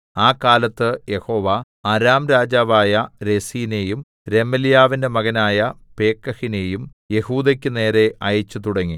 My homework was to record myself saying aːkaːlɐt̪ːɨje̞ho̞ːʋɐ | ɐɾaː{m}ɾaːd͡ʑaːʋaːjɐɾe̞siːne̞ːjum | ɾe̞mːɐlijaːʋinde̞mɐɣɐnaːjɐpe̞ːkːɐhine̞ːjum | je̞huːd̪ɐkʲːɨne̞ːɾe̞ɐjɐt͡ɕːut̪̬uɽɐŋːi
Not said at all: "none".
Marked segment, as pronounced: m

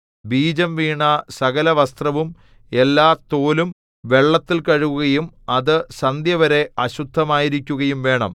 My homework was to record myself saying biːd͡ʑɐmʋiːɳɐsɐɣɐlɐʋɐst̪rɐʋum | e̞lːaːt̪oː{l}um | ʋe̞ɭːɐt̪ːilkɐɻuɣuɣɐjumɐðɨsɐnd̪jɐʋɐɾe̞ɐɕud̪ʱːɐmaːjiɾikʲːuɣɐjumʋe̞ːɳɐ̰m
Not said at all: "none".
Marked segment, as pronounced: l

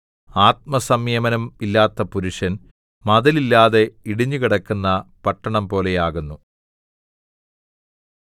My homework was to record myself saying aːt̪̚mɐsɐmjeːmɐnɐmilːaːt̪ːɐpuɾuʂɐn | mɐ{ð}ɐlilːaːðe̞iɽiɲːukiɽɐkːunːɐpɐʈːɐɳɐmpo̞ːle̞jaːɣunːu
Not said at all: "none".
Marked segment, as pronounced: ð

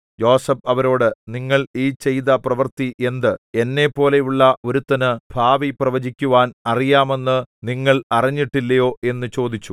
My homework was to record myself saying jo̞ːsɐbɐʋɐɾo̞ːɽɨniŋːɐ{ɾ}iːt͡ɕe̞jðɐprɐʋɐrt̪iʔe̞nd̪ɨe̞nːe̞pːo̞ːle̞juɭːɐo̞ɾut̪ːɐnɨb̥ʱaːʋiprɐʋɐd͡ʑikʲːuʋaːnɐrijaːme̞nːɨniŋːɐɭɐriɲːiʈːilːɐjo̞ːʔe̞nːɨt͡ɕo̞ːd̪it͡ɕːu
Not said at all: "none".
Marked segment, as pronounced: ɭ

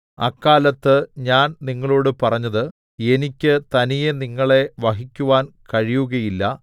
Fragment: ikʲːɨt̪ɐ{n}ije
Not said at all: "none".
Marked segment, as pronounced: n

